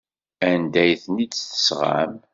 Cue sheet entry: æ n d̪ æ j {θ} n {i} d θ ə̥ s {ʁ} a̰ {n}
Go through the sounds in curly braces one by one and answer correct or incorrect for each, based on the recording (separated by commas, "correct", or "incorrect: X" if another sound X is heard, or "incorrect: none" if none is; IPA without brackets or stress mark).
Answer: correct, correct, correct, incorrect: m